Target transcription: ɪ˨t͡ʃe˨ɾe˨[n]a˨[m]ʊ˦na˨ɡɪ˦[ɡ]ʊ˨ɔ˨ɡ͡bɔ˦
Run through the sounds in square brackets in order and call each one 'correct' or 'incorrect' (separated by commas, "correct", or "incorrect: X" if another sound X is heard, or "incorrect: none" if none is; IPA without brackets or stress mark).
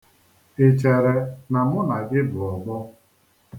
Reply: correct, correct, incorrect: b